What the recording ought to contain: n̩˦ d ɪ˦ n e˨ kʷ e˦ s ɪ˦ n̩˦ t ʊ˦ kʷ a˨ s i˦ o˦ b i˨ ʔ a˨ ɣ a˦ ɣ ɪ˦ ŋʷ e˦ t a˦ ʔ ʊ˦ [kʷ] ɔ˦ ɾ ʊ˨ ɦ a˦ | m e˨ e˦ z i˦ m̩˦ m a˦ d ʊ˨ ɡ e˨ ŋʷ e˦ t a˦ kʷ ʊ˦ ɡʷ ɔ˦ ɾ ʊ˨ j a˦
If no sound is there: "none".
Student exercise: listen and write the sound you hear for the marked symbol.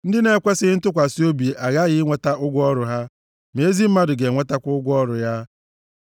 ɡʷ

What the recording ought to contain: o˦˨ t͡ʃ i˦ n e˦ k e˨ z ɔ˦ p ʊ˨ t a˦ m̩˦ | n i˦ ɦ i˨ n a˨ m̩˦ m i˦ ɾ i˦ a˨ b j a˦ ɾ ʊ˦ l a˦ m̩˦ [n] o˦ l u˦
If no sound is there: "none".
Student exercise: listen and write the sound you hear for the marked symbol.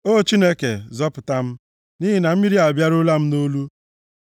n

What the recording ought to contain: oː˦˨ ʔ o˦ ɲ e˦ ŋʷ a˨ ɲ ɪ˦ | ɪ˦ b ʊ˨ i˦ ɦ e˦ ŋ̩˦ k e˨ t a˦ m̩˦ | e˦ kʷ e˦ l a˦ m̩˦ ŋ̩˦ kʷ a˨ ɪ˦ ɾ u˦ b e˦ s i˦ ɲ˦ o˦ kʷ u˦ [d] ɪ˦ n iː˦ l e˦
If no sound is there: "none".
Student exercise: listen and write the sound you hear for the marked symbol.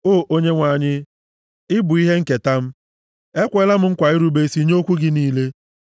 ɡ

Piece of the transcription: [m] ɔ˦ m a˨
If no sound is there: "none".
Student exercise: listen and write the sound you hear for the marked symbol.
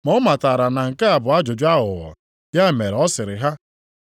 m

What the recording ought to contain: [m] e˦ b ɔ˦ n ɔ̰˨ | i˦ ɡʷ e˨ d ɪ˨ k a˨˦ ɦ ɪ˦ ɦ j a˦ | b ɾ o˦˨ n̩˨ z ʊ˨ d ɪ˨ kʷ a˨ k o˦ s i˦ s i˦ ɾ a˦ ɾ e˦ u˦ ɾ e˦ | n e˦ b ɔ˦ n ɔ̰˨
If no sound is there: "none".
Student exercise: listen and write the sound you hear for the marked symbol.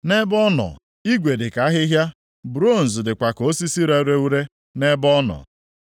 n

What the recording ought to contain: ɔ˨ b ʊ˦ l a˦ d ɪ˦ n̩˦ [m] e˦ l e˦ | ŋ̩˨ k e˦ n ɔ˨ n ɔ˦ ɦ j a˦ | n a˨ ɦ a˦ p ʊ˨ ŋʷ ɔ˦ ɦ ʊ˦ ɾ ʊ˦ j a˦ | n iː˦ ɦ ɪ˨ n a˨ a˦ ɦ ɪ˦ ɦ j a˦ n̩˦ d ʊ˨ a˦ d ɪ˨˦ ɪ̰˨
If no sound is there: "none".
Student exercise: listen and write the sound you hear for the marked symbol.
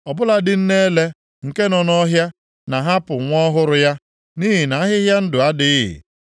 n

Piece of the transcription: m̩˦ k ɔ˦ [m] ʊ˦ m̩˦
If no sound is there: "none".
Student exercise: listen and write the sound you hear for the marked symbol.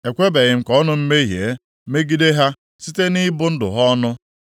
n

